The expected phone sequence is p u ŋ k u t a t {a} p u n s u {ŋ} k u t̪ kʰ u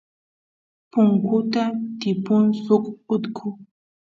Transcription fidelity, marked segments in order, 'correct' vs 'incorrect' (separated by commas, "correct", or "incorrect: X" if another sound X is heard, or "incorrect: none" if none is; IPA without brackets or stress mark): incorrect: i, incorrect: none